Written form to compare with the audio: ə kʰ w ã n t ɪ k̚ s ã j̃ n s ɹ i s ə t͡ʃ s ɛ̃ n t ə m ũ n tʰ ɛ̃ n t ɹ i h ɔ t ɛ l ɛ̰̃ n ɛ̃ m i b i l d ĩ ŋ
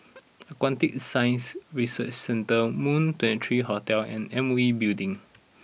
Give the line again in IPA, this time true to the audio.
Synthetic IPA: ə k w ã n t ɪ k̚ s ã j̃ n s ɹ i s ə t͡ʃ s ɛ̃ n t ə m ũ n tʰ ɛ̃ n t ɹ i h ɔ t ɛ l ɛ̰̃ n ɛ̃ m i b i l d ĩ ŋ

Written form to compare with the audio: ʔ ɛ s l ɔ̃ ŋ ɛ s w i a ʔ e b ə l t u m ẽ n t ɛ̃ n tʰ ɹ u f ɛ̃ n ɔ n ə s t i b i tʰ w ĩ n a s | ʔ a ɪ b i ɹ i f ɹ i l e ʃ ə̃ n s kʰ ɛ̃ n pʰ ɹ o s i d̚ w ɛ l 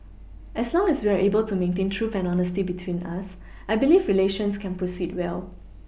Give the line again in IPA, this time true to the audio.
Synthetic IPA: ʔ ɛ s l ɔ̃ ŋ ɛ s w i a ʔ e b ə l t u m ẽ n t ẽ n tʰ ɹ u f ɛ̃ n ɔ n ə s t i b i tʰ w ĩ n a s | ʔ a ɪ b i l i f ɹ i l e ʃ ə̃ n s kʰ ɛ̃ n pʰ ɹ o s i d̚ w ɛ l

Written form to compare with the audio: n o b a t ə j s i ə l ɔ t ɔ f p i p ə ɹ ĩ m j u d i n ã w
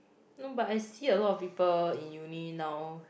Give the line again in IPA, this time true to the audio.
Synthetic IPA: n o b a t a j s i ə l ɔ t ɔ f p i p ə l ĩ n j u n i n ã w

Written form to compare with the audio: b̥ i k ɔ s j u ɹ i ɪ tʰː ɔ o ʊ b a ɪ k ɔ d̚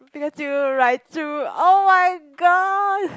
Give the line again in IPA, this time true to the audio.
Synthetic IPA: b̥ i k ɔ s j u ɹ a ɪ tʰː u o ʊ m a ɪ ɡ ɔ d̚

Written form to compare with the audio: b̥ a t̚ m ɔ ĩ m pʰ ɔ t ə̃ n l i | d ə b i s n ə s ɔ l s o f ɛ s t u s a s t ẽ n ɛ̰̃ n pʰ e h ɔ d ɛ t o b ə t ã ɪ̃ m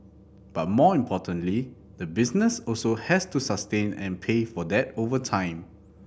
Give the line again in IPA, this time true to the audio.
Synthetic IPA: b̥ a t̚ m ɔ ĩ m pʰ ɔ t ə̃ n l i | d ə b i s n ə s ɔ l s o h ɛ s t u s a s t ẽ n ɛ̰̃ n pʰ e f ɔ d ɛ t o v ə tʰ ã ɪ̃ m

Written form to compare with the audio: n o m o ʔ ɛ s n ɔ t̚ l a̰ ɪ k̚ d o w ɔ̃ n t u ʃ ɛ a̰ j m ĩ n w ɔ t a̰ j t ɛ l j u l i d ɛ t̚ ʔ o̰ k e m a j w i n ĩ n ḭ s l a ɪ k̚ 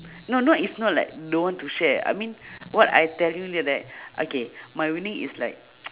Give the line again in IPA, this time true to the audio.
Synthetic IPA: n o n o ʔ i s n ɔ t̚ l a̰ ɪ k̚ d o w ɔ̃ n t u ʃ ɛ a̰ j m ĩ n w ɔ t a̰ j t ɛ l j u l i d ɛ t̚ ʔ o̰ k e m a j w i n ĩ ŋ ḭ s l a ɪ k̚

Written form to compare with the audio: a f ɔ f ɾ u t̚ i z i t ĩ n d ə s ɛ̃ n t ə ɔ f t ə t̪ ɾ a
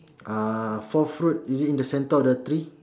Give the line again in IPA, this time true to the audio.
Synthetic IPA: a f ɔ f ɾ u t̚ i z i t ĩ n d ə s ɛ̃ n t ə ɔ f d ə t̪ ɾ i

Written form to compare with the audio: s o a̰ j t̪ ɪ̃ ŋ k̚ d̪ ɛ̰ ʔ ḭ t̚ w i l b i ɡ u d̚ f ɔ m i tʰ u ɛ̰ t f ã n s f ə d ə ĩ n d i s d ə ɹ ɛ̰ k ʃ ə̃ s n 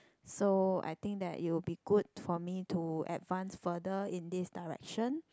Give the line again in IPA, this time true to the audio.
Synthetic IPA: s o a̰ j t̪ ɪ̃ ŋ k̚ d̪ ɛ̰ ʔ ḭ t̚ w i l b i ɡ u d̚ f ɔ m i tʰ u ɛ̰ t v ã n s f ə d ə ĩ n d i s d a ɹ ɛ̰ k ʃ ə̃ n

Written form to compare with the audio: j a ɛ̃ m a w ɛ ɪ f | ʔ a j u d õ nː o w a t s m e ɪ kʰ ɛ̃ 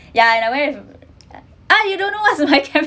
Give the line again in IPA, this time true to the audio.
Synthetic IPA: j a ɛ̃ n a w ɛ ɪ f | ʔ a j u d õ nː o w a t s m a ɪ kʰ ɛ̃

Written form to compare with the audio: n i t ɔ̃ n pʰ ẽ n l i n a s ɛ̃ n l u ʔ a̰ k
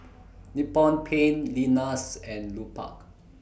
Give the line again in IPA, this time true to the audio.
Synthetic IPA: n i p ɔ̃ n pʰ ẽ n l i n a s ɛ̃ n l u p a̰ k

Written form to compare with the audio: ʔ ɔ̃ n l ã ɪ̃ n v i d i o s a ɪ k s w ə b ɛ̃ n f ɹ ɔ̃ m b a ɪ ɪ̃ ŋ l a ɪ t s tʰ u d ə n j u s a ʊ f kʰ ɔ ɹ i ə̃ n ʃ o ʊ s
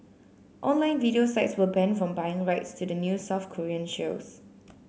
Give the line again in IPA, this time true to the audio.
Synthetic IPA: ʔ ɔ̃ n l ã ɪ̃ n v i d i o s a ɪ t s w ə b ɛ̃ n f ɹ ɔ̃ m b a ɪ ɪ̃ ŋ ɹ a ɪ t s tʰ u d ə n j u s a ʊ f kʰ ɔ ɹ i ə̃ n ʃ o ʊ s

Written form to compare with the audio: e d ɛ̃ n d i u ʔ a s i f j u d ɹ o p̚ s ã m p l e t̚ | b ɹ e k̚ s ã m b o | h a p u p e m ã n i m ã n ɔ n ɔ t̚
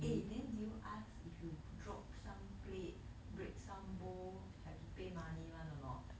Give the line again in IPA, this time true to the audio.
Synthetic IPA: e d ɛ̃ n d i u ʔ a s i f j u d ɹ ɔ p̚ s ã m p l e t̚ | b ɹ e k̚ s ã m b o | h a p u p e m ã n i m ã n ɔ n ɔ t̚

